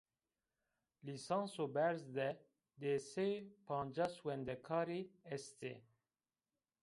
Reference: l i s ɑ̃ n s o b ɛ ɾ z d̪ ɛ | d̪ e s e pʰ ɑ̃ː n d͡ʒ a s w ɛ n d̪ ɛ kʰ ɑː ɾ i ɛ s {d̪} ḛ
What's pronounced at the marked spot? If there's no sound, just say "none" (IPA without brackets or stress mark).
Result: t̪